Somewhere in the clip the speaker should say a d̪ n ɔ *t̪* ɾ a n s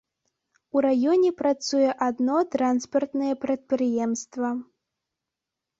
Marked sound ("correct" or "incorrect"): correct